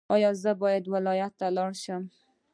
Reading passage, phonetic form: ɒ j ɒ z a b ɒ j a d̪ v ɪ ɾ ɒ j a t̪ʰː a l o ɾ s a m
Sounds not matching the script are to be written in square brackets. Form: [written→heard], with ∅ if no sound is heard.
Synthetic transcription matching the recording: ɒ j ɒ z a b ɒ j a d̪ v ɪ [ɾ→l] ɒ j a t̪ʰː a l [o→ɒ] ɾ [s→ʃ] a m